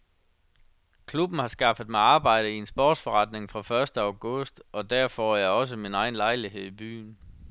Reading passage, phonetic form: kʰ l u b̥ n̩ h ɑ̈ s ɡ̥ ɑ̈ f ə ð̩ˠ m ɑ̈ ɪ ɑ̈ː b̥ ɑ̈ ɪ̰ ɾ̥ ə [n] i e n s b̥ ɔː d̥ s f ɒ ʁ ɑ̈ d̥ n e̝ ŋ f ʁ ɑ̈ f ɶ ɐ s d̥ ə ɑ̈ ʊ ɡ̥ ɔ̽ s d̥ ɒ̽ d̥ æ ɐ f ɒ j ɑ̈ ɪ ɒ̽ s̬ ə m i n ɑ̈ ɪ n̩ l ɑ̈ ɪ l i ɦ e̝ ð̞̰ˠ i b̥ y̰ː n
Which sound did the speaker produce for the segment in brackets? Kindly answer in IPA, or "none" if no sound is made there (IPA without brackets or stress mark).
none